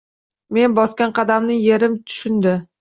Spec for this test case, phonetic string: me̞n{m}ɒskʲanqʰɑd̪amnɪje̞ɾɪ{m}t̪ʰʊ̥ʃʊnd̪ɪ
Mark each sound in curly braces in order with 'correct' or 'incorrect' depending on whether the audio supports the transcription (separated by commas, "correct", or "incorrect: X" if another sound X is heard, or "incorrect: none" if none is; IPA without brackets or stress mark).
incorrect: b, correct